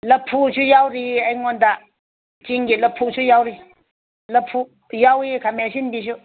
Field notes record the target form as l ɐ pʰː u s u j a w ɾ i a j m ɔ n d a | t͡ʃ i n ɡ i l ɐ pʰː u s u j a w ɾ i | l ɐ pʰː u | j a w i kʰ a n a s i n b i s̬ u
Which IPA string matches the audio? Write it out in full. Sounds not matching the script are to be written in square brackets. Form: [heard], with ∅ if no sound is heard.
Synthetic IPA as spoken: l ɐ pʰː u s u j a w ɾ i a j [ŋ] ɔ n d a | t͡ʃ i [ŋ] ɡ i l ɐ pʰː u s u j a w ɾ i | l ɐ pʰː u | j a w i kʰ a [m] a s i n b i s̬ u